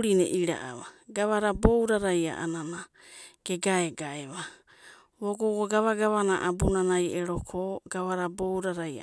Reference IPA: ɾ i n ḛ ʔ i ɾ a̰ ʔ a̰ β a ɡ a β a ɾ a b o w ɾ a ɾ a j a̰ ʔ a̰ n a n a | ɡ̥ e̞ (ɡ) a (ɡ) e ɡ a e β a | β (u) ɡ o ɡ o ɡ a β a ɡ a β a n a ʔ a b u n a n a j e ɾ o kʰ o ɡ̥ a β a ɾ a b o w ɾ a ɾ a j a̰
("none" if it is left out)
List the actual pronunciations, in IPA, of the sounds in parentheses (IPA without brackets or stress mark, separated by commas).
ɡ, none, o